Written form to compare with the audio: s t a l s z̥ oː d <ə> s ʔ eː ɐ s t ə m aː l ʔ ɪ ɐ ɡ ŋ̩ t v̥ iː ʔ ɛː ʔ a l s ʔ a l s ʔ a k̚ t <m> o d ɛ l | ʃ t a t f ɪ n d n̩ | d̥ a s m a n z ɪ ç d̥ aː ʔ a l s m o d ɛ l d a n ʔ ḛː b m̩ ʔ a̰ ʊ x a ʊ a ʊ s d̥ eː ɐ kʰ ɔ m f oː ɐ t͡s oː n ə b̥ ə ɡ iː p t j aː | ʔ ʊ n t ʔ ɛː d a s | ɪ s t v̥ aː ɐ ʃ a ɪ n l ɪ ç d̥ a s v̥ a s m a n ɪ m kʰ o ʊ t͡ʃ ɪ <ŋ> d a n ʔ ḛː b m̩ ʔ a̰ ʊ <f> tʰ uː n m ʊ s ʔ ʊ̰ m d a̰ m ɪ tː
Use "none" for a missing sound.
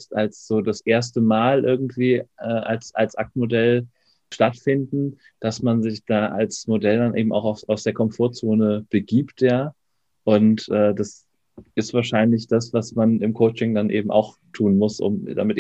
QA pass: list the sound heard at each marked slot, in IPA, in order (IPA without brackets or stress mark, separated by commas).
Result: a, m, ŋ, x